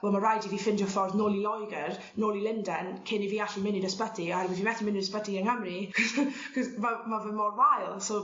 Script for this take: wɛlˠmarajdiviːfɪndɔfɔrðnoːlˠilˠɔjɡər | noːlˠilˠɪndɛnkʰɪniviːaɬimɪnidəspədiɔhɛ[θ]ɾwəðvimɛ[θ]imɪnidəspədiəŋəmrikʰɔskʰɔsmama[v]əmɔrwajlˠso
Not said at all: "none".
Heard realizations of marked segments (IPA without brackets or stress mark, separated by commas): none, θ, v